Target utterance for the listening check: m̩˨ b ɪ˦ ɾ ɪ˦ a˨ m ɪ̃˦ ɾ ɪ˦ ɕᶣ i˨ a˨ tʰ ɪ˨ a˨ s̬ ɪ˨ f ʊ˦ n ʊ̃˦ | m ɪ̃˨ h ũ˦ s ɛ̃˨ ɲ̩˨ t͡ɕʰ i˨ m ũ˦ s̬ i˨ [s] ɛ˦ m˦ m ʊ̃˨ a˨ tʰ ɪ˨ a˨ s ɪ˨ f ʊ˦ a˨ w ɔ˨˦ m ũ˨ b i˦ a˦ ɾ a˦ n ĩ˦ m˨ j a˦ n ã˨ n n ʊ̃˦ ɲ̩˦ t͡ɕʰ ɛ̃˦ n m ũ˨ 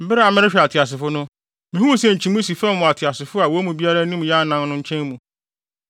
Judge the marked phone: incorrect: f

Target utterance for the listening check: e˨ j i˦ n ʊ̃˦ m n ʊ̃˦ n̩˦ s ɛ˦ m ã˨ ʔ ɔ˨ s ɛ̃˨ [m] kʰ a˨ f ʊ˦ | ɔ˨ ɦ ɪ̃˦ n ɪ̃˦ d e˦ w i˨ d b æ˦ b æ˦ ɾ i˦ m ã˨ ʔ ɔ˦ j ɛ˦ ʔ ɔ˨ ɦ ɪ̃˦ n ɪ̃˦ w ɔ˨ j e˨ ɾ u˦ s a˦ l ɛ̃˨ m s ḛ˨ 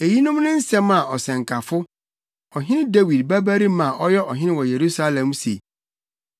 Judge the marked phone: incorrect: ŋ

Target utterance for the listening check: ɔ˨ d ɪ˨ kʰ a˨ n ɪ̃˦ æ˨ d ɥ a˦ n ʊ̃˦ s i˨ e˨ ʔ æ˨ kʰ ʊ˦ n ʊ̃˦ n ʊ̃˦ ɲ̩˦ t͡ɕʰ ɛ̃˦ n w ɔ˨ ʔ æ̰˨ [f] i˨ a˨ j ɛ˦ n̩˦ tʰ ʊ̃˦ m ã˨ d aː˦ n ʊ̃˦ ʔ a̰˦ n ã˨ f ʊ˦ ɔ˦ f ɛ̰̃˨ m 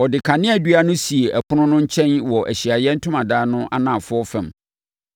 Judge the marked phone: incorrect: ɕ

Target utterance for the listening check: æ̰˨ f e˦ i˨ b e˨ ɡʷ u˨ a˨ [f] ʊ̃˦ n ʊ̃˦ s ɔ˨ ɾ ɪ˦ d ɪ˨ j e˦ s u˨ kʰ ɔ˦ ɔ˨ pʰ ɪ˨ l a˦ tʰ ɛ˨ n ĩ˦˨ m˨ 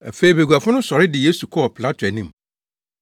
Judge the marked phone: correct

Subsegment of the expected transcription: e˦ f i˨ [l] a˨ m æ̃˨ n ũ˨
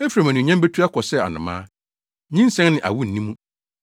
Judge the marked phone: incorrect: ɾ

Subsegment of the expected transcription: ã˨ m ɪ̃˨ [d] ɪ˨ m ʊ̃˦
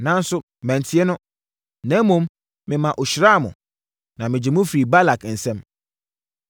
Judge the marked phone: incorrect: d͡ʑ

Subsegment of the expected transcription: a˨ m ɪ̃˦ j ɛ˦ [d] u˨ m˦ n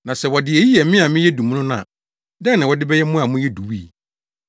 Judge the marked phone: correct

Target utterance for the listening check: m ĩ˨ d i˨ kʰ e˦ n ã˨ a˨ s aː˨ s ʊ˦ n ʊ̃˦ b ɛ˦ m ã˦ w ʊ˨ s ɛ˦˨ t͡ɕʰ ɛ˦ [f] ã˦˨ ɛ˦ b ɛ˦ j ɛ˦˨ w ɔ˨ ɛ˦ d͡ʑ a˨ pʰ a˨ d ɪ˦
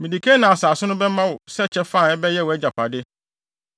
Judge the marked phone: correct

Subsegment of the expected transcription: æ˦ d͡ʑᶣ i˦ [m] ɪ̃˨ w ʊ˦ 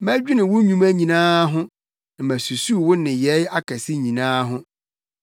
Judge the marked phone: incorrect: n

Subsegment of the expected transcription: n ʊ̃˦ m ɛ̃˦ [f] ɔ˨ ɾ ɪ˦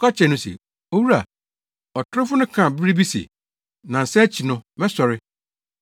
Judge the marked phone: incorrect: s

